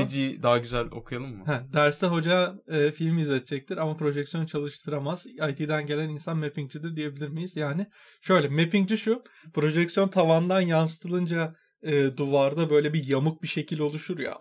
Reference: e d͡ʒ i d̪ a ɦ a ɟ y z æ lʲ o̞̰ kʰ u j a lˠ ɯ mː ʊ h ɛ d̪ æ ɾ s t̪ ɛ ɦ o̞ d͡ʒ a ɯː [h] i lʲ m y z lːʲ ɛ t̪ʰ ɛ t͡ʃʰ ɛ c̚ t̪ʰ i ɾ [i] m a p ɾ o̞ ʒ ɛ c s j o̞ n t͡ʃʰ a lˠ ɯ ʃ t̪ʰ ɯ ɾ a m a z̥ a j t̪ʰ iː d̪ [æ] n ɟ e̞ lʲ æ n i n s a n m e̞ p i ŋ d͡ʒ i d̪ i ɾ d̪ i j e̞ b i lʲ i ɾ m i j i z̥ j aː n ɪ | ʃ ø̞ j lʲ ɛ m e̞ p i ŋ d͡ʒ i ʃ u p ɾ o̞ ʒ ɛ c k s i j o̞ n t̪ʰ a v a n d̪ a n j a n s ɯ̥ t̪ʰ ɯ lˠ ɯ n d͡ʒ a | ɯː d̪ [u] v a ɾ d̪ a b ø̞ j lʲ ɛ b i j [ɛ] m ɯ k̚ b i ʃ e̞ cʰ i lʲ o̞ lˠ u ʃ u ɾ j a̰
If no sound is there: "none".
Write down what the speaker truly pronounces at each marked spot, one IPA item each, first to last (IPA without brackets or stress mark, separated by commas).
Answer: f, a, æ, u, a